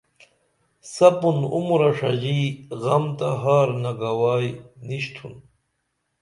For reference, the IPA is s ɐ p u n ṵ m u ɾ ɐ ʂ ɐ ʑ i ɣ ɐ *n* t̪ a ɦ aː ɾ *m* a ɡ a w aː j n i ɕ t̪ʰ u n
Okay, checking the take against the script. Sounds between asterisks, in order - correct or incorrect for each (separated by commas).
incorrect, incorrect